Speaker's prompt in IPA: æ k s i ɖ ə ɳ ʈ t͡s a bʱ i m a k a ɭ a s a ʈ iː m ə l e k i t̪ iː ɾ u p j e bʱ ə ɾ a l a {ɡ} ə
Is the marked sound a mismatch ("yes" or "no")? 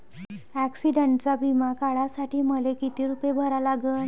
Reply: no